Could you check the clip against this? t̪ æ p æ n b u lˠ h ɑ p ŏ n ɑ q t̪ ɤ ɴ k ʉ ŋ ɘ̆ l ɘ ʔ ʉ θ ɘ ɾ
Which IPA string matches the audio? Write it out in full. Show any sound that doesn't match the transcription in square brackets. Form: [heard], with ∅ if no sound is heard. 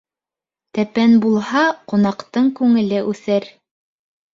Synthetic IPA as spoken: t̪ æ p æ n b u lˠ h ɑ [q] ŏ n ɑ q t̪ ɤ ɴ k ʉ ŋ ɘ̆ l ɘ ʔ ʉ θ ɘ ɾ